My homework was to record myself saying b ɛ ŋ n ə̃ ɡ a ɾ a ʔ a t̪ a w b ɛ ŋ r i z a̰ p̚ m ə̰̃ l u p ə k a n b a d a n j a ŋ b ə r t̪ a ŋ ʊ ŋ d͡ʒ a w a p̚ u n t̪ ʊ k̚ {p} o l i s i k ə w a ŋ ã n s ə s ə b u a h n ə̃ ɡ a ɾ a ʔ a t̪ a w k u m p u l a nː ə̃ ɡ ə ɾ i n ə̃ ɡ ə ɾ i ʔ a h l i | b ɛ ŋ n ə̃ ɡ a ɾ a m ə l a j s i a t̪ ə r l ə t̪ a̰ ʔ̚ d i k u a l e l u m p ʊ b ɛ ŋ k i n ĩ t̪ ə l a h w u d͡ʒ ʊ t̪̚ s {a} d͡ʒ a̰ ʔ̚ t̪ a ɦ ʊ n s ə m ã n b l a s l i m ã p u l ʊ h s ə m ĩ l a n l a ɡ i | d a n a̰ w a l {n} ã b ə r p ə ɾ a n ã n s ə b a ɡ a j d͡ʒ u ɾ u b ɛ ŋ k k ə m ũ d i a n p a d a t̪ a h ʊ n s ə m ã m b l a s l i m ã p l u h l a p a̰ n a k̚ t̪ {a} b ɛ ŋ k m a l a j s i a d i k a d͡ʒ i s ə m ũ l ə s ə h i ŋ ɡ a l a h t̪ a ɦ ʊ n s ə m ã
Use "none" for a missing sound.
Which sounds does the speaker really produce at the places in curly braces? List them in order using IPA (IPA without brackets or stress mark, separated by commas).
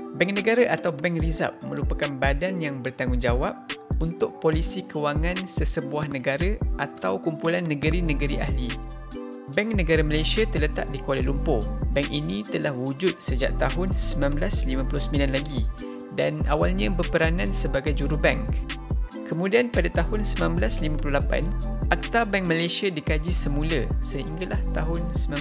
p, ə, ɲ, a